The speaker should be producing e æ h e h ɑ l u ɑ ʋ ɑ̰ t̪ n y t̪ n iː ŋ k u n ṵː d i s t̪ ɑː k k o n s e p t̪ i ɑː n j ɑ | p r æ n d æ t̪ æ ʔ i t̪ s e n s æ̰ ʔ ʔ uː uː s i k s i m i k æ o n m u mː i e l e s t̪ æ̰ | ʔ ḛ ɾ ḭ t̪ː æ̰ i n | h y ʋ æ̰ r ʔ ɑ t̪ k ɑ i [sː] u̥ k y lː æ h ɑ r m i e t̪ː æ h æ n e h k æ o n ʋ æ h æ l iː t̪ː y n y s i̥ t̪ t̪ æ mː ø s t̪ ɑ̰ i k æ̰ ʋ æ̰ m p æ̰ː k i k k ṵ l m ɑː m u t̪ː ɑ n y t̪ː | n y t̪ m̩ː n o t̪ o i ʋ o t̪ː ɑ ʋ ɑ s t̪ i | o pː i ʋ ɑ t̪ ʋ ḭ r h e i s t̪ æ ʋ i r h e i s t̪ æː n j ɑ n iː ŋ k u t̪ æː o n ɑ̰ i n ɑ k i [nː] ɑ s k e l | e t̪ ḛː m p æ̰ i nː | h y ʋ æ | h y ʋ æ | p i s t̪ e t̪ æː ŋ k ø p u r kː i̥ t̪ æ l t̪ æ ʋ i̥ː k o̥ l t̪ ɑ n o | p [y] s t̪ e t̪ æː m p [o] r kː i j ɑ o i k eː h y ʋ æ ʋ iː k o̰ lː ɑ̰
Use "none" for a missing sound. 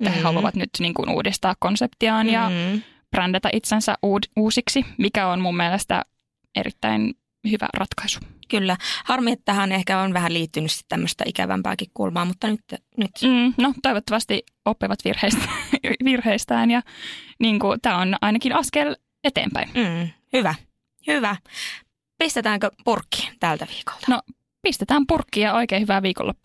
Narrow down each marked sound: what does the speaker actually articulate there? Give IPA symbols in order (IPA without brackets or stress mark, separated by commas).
s, n, i, u